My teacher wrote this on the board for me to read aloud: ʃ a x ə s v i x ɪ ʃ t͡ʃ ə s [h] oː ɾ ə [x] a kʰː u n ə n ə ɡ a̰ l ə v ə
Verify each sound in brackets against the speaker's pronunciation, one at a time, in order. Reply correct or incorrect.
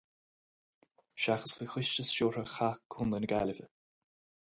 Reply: incorrect: ʃ, correct

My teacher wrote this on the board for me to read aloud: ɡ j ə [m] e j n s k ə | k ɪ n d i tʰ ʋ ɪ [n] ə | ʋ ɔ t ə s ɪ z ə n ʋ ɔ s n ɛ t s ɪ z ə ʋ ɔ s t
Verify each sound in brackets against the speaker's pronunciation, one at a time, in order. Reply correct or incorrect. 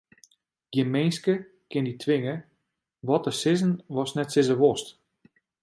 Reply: correct, incorrect: ŋ

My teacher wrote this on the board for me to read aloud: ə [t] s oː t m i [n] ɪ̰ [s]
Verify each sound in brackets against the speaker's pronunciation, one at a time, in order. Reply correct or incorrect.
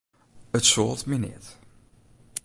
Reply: correct, correct, incorrect: t

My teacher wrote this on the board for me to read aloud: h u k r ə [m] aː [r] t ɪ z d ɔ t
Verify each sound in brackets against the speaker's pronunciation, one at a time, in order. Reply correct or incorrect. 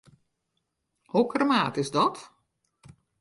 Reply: correct, incorrect: none

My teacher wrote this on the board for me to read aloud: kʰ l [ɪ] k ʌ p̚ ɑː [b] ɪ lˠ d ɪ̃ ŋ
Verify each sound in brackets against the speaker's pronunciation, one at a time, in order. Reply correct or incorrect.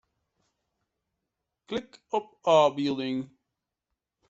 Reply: correct, correct

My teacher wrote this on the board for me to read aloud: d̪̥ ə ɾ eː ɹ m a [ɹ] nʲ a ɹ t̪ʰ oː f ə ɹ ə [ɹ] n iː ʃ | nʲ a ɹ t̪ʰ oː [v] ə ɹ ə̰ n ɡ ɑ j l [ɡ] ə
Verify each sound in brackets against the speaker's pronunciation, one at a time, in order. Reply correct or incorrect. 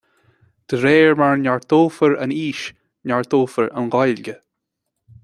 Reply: correct, incorrect: none, incorrect: f, correct

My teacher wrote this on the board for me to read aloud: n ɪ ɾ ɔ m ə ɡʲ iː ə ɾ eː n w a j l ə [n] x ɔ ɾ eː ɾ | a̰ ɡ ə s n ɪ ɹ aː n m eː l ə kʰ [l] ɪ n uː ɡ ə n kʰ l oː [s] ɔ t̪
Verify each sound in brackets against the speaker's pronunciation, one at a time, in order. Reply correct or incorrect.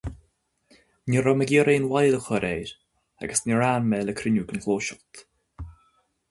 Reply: incorrect: none, incorrect: ɾ, incorrect: ʃ

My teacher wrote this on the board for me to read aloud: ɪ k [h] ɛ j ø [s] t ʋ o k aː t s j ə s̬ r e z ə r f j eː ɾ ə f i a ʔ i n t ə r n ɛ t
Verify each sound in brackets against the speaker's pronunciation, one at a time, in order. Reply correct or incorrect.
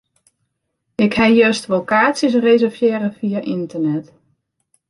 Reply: correct, correct

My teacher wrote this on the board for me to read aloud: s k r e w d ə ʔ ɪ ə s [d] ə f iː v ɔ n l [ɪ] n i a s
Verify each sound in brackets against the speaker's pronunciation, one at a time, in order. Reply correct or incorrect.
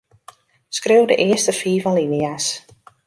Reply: incorrect: t, incorrect: i

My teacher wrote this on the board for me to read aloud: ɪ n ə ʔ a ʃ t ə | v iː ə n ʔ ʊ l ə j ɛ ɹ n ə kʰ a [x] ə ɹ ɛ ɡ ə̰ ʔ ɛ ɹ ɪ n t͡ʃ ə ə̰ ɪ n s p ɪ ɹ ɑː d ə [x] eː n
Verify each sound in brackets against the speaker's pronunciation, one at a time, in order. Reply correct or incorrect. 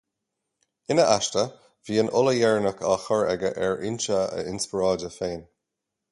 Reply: correct, incorrect: f

